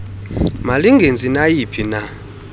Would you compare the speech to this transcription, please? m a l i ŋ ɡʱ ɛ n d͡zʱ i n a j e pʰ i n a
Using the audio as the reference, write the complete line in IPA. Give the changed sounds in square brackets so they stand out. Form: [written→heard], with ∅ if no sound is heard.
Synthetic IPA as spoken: m a l i ŋ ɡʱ [ɛ→e] n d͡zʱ i n a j [e→i] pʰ i n a

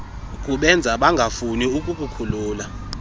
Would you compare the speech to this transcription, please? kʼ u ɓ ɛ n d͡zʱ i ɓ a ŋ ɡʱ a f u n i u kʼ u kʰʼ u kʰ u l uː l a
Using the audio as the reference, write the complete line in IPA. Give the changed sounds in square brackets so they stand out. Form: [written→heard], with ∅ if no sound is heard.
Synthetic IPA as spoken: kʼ u ɓ ɛ n d͡zʱ [i→a] ɓ a ŋ ɡʱ a f u n i u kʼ u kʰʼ u kʰ u l uː l a

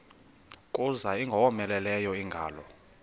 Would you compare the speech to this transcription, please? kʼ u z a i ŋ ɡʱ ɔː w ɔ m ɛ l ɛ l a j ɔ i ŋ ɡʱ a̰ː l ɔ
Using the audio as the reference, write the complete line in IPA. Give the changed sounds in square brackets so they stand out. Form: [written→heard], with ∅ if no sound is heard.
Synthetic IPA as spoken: kʼ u z a i ŋ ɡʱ [ɔː→ɔ] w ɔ m ɛ l ɛ l [a→ɛ] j ɔ i ŋ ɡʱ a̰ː l ɔ

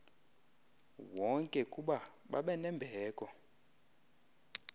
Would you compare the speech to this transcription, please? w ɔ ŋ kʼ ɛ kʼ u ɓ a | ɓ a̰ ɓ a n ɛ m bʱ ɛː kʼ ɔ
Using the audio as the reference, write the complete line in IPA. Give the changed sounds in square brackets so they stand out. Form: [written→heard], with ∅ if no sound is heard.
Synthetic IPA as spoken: w ɔ ŋ kʼ ɛ kʼ u ɓ a | ɓ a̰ ɓ [a→ɛ] n ɛ m bʱ ɛː kʼ ɔ

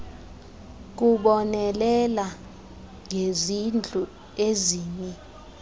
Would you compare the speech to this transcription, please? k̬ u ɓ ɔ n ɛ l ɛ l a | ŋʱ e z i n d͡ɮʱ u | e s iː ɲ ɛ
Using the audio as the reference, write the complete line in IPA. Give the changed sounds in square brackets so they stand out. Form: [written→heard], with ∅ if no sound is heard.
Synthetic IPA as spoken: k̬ u ɓ ɔ n ɛ l ɛ l a | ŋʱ e z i n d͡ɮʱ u | e [s→z] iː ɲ ɛ

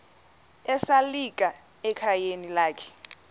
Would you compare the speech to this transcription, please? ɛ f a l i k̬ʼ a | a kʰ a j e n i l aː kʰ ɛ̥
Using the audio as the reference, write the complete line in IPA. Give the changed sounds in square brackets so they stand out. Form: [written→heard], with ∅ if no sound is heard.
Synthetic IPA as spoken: ɛ [f→s] a l i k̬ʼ a | [a→ɛ] kʰ a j e n i l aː kʰ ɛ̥

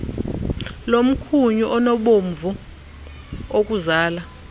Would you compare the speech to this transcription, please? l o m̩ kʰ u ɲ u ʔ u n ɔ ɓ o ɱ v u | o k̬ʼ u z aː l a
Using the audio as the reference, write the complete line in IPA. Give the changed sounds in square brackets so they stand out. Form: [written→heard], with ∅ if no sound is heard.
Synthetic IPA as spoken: l o m̩ kʰ u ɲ u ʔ [u→ɔ] n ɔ ɓ o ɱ v u | o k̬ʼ u z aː l a

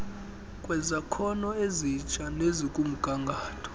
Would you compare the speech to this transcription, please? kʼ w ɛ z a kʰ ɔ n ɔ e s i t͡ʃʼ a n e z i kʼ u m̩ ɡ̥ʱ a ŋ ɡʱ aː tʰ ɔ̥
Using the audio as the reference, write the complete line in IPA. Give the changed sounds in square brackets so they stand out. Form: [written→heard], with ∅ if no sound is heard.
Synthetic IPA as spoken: kʼ w ɛ z a kʰ ɔ n ɔ e [s→z] i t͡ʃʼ a n e z i kʼ u m̩ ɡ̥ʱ a ŋ ɡʱ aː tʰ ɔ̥

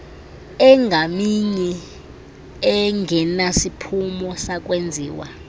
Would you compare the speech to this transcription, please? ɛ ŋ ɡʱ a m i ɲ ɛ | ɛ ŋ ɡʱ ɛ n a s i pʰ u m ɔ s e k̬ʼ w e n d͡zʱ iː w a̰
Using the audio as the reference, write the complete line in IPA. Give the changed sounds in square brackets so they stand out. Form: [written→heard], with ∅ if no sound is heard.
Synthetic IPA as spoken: ɛ ŋ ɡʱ a m i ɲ ɛ | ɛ ŋ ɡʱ ɛ n a s i pʰ u m ɔ s [e→a] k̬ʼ w e n d͡zʱ iː w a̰

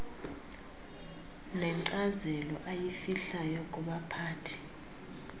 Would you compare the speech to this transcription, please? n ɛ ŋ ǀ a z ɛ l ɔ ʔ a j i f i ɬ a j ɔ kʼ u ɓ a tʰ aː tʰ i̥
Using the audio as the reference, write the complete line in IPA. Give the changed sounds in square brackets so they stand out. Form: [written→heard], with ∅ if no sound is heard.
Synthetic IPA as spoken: n ɛ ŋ ǀ a z ɛ l ɔ ʔ a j i f i ɬ a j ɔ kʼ u ɓ a [tʰ→pʰ] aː tʰ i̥

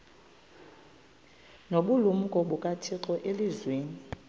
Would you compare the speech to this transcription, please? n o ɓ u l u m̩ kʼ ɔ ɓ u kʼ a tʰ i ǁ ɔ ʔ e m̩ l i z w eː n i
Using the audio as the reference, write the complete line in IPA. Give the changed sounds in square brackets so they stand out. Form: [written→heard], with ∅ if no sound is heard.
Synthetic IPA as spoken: n o ɓ u l u m̩ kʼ ɔ ɓ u kʼ a tʰ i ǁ ɔ ʔ e [m̩→∅] l i z w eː n i

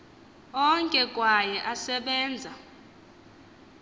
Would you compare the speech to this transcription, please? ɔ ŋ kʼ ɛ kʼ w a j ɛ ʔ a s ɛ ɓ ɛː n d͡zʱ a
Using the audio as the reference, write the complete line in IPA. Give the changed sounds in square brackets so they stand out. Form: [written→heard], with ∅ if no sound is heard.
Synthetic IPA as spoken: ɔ ŋ kʼ ɛ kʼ w a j ɛ ʔ a s ɛ ɓ ɛː n d͡zʱ a

